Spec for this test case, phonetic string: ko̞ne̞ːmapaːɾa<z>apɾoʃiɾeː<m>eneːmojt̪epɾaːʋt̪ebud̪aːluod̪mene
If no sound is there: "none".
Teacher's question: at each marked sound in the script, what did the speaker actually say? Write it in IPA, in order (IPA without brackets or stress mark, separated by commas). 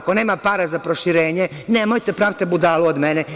z, ɲ